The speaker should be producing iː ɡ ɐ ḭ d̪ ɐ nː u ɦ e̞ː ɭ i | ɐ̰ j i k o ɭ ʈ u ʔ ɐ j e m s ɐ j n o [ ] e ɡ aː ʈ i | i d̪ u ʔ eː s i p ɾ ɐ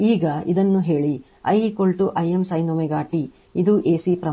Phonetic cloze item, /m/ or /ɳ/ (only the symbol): m